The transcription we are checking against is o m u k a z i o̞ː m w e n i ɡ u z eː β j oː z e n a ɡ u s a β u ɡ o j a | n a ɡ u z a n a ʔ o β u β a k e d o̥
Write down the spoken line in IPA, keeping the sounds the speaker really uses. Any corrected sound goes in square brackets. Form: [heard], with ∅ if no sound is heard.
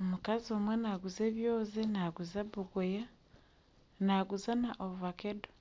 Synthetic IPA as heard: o m u k a z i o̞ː m w e n [a] ɡ u z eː β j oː z e n a ɡ u [z] a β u ɡ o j a | n a ɡ u z a n a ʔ o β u β a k e d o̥